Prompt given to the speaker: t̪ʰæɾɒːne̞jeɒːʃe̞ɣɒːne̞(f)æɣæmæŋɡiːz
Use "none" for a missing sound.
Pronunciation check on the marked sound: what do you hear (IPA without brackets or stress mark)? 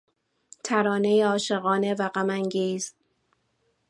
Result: v